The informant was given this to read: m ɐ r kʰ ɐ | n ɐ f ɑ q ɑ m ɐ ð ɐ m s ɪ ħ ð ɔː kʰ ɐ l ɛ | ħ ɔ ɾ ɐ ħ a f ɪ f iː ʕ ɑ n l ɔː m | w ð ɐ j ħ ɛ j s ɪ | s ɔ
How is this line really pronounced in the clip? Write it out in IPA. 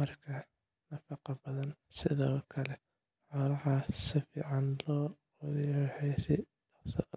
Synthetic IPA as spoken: m ɐ r kʰ ɐ | n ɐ f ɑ q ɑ b ɐ ð ɐ n s ɪ ð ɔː kʰ ɐ l ɛ | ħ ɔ ɾ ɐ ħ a s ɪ f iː ʕ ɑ n l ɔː | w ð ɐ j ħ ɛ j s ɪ | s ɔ